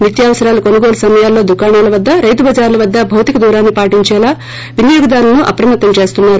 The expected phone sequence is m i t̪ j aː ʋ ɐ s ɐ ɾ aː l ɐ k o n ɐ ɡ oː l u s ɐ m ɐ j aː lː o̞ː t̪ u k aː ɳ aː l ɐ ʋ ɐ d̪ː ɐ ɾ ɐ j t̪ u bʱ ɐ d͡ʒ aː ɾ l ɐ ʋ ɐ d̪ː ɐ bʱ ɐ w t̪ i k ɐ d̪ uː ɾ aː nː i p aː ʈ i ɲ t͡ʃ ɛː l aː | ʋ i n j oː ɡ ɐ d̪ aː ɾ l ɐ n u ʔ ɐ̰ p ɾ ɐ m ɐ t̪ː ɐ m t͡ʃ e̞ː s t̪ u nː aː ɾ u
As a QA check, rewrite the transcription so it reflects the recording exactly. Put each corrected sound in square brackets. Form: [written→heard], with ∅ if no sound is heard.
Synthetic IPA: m i t̪ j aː ʋ ɐ s ɐ ɾ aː l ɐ k o n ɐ ɡ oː l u s ɐ m ɐ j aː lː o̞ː [t̪→d̪] u k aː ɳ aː l ɐ ʋ ɐ d̪ː ɐ ɾ ɐ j t̪ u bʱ ɐ d͡ʒ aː ɾ l ɐ ʋ ɐ d̪ː ɐ bʱ ɐ w t̪ i k ɐ d̪ uː ɾ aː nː i p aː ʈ i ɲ t͡ʃ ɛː l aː | ʋ i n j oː ɡ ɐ d̪ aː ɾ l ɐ n u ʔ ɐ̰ p ɾ ɐ m ɐ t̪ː ɐ m t͡ʃ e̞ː s t̪ u nː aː ɾ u